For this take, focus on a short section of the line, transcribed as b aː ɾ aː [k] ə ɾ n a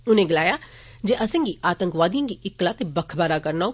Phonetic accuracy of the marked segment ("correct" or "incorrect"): correct